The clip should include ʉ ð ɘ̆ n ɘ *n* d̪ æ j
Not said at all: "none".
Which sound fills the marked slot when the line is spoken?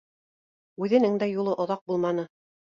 ŋ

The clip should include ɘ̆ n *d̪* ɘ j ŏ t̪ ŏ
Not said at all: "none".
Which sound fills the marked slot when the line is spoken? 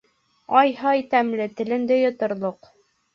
d̪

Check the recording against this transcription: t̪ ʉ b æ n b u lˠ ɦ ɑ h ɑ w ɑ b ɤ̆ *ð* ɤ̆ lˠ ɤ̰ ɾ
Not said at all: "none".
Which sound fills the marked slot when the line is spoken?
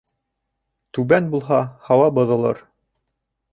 ð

